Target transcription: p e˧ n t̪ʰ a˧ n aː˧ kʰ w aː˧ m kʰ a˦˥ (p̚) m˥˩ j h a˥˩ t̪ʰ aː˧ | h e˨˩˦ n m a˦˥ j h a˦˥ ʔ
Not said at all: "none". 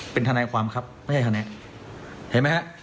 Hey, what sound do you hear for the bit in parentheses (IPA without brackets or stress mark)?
p̚